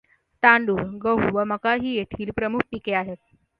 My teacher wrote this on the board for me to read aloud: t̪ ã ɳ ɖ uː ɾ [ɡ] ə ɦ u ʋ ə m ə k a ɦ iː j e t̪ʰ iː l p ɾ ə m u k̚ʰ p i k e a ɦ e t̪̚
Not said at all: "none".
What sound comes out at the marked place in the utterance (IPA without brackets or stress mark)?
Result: ɡ